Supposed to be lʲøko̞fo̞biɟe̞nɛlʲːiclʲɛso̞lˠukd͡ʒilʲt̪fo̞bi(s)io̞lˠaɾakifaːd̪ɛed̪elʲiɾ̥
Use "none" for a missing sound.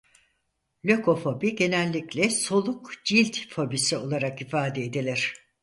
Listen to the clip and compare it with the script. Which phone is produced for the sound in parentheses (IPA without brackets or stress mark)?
s